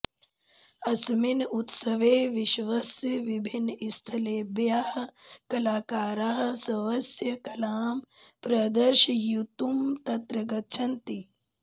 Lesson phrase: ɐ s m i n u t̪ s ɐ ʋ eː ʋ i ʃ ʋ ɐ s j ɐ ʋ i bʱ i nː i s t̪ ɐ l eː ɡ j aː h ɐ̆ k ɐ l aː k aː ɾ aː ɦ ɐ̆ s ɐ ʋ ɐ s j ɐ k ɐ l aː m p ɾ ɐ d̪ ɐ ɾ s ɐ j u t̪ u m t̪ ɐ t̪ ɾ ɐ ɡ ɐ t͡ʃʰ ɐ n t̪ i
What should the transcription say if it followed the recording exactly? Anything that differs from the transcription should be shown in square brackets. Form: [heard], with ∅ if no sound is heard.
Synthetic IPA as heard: ɐ s m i n u t̪ s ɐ ʋ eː ʋ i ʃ ʋ ɐ s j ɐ ʋ i bʱ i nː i s [t̪ʰ] ɐ l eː [b] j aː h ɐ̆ k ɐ l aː k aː ɾ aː ɦ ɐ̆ s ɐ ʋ ɐ s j ɐ k ɐ l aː m p ɾ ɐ d̪ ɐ ɾ [ʃ] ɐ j u t̪ u m t̪ ɐ t̪ ɾ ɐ ɡ ɐ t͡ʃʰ ɐ n t̪ i